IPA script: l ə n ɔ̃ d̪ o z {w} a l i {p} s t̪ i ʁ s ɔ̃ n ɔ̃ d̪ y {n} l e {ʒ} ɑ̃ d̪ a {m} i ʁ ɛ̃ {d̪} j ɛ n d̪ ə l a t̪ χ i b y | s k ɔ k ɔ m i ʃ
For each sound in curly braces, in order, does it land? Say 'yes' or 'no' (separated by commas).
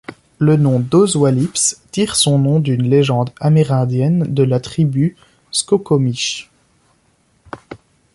yes, yes, yes, yes, yes, yes